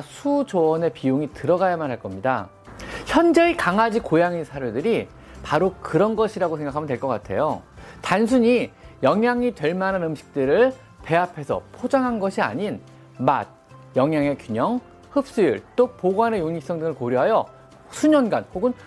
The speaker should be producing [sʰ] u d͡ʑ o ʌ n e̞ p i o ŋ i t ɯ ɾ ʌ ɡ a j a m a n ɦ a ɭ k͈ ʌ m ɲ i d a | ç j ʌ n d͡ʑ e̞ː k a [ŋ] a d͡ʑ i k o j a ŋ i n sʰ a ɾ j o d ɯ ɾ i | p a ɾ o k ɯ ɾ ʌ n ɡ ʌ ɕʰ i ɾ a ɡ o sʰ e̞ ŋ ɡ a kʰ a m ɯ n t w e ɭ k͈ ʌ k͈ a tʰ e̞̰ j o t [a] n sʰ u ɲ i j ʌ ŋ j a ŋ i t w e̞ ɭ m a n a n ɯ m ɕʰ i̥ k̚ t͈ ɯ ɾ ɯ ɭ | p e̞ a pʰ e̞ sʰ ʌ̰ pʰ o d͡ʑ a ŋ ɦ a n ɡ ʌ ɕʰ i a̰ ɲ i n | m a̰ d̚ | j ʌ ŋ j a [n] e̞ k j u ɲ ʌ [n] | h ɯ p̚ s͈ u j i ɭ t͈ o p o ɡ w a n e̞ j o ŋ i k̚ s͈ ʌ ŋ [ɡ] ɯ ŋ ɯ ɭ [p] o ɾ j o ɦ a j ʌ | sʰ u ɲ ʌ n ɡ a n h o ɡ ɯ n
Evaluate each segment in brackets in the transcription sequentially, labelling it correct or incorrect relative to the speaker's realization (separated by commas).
correct, correct, correct, incorrect, incorrect, incorrect, incorrect